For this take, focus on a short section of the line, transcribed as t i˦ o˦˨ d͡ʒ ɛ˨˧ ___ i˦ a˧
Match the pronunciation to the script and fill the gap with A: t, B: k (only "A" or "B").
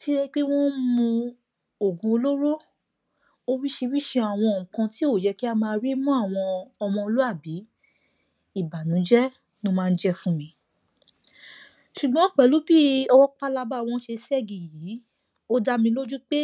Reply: B